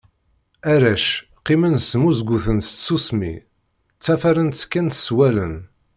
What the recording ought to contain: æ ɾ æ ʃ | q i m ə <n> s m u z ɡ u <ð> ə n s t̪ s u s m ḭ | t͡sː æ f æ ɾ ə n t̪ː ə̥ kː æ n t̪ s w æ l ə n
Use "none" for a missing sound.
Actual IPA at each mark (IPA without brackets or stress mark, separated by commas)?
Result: n, θ